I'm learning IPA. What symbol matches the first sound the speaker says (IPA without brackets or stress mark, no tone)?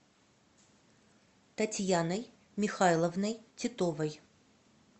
t̪